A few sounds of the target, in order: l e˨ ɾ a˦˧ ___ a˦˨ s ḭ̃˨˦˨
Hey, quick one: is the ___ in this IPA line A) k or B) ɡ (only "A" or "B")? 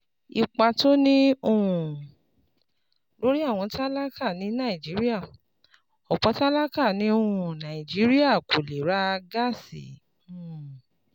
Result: B